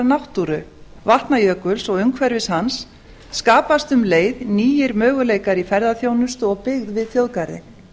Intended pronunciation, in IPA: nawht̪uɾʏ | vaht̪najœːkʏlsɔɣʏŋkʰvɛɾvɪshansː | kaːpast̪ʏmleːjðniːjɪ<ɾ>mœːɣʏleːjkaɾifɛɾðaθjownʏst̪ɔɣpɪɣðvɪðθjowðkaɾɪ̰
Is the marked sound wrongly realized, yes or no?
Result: no